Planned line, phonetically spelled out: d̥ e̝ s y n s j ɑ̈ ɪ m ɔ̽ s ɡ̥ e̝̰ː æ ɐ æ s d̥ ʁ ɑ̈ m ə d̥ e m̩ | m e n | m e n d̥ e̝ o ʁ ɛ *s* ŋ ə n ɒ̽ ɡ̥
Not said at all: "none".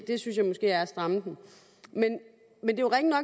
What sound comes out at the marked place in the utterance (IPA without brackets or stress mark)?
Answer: none